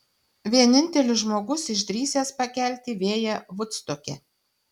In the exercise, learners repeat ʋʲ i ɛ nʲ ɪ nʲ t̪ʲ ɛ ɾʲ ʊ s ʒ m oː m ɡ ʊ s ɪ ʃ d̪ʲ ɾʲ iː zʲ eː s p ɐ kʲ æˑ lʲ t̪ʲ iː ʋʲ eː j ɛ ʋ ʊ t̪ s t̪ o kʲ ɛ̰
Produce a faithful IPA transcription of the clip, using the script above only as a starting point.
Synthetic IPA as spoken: ʋʲ i ɛ nʲ ɪ nʲ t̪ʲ ɛ lʲ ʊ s ʒ m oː ɡ ʊ s ɪ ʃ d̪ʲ ɾʲ iː sʲ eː s p ɐ kʲ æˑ lʲ t̪ʲ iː ʋʲ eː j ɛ ʋ ʊ t̪ s t̪ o kʲ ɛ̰